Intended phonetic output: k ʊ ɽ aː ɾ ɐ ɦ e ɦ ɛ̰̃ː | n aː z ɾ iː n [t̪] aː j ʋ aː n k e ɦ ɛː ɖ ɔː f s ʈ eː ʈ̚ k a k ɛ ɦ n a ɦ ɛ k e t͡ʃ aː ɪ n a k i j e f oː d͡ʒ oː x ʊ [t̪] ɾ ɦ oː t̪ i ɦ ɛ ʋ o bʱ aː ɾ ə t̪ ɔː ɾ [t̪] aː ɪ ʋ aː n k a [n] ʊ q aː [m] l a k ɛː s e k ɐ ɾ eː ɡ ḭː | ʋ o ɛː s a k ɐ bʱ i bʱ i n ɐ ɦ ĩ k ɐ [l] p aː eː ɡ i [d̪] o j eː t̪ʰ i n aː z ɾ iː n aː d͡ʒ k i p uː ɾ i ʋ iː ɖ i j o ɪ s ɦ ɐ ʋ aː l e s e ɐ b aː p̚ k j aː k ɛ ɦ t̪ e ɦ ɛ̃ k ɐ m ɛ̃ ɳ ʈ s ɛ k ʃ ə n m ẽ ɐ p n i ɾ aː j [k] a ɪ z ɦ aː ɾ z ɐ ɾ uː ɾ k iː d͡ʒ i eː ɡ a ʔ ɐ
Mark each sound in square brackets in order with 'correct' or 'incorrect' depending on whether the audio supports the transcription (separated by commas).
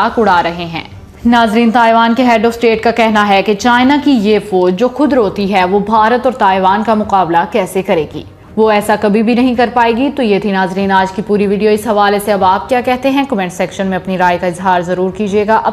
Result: correct, incorrect, correct, incorrect, incorrect, incorrect, incorrect, correct